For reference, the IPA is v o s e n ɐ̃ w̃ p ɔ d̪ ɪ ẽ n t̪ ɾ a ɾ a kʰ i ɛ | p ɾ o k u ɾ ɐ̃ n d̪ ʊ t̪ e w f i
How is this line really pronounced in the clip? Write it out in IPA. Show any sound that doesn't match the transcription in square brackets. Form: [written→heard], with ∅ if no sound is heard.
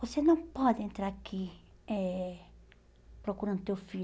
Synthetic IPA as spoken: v o s e n ɐ̃ w̃ p ɔ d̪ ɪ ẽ n t̪ ɾ a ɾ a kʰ i ɛ | p ɾ o k u ɾ ɐ̃ n d̪ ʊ t̪ e w f i

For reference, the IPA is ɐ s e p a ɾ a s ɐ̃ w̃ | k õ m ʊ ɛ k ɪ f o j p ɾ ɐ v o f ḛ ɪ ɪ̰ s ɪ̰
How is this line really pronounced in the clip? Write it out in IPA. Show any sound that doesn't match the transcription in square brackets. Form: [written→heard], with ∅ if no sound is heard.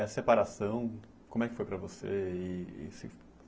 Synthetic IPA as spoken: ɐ s e p a ɾ a s ɐ̃ w̃ | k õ m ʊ ɛ k ɪ f o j p ɾ ɐ v o [f→s] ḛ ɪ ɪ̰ s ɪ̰

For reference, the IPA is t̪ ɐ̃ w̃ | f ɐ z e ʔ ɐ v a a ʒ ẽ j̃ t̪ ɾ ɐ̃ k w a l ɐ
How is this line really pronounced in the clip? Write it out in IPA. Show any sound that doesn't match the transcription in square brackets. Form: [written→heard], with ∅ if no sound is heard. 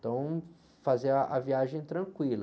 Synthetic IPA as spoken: t̪ ɐ̃ w̃ | f [ɐ→a] z e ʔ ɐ v [a→i] a ʒ ẽ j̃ t̪ ɾ ɐ̃ k w [a→i] l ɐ

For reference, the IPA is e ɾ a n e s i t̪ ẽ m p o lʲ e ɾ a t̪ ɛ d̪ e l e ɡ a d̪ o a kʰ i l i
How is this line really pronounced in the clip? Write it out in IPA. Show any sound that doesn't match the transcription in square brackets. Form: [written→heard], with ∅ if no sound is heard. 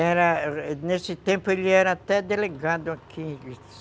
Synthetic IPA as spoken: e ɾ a n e s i t̪ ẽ m p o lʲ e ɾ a t̪ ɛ d̪ e l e ɡ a d̪ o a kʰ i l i

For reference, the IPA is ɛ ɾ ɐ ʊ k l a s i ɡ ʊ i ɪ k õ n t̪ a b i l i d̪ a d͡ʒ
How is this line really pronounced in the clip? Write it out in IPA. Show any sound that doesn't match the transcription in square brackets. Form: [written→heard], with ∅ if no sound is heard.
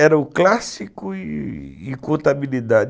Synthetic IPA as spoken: ɛ ɾ ɐ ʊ k l a s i [ɡ→k] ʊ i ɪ k õ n t̪ a b i l i d̪ a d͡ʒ

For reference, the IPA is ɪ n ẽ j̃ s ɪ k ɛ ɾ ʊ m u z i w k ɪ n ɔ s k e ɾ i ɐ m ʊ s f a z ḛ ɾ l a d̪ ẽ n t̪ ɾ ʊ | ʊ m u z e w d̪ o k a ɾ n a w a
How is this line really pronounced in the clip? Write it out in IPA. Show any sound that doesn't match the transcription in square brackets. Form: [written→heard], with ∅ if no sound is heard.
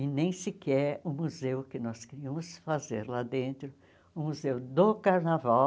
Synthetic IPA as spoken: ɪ n ẽ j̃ s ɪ k ɛ ɾ ʊ m u z [i→e] w k ɪ n ɔ s k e ɾ i ɐ m ʊ s f a z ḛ ɾ l a d̪ ẽ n t̪ ɾ ʊ | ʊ m u z e w d̪ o k a ɾ n a [w→v] a

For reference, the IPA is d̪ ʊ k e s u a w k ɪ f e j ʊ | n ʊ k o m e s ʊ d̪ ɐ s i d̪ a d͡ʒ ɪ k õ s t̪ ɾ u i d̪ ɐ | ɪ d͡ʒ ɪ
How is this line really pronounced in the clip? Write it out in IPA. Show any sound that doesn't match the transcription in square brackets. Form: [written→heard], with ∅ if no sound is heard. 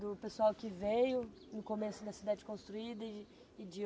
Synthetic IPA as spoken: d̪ ʊ [k→p] e s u a w k ɪ [f→v] e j ʊ | n ʊ k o m e s ʊ d̪ ɐ s i d̪ a d͡ʒ ɪ k õ s t̪ ɾ u i d̪ ɐ | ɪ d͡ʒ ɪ

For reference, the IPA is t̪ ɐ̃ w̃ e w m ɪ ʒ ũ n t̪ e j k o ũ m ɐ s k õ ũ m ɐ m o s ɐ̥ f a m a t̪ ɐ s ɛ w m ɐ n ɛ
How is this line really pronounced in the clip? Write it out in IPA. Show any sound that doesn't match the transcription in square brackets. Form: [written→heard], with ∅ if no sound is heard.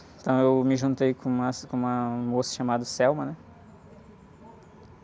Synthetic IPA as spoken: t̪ ɐ̃ w̃ e w m ɪ ʒ ũ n t̪ e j k [o→õ] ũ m ɐ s k õ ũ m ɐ m o s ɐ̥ [f→ʃ] a m a [t̪→d̪] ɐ s ɛ w m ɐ n ɛ

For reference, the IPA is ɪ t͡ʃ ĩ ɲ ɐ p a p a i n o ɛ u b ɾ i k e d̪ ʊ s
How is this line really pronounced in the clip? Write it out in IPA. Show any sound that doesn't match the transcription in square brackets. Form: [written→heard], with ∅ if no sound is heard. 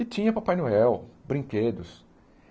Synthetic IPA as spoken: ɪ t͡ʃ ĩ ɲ ɐ p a p a [i→j] n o ɛ [u→w] b ɾ [i→ĩ] k e d̪ ʊ s

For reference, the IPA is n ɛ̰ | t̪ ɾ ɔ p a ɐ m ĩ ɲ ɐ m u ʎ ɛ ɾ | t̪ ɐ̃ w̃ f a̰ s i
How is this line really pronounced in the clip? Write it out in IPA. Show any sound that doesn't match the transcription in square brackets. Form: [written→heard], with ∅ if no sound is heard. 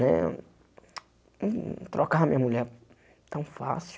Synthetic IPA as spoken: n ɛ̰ | t̪ ɾ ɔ [p→k] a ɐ m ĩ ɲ ɐ m u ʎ ɛ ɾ | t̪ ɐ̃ w̃ f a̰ s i

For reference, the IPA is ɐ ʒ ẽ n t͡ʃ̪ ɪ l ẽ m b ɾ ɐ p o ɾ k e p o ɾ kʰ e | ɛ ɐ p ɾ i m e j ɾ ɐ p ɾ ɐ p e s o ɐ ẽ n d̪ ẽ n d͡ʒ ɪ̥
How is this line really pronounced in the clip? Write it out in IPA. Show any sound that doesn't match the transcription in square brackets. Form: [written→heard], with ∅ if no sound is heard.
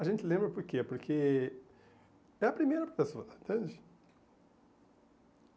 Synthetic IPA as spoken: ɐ ʒ ẽ n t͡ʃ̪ ɪ l ẽ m b ɾ ɐ p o ɾ k e p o ɾ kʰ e | ɛ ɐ p ɾ i m e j ɾ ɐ p ɾ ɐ p e s o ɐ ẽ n [d̪→t̪] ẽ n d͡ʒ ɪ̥

